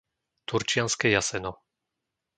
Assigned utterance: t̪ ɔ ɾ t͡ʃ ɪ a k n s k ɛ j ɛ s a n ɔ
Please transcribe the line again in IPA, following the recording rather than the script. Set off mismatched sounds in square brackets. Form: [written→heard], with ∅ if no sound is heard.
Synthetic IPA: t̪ [ɔ→u] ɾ t͡ʃ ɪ a [k→∅] n s k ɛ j [ɛ→a] s [a→ɛ] n ɔ